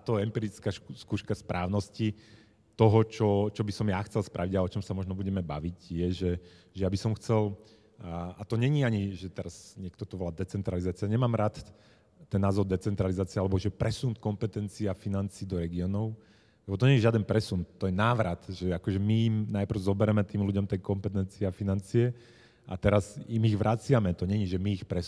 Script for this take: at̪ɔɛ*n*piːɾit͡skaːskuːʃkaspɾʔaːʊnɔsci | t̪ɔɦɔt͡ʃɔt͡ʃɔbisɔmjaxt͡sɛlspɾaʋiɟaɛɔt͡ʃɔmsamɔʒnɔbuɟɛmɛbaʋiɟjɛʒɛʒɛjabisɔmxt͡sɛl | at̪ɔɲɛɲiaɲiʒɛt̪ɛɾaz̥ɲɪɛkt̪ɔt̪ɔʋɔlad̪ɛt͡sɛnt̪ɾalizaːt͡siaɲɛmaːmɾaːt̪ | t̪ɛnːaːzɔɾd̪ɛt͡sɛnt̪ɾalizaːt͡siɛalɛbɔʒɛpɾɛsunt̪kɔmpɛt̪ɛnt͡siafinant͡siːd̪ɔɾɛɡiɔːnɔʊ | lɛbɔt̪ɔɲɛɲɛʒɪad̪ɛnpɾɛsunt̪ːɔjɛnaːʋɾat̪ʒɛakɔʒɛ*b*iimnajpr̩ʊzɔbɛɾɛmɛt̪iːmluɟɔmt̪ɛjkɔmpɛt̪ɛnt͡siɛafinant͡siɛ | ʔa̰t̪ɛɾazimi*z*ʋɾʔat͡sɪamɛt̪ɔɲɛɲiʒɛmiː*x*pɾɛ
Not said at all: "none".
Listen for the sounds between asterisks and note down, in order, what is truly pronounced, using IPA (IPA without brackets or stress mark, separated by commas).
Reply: m, m, ɣ, x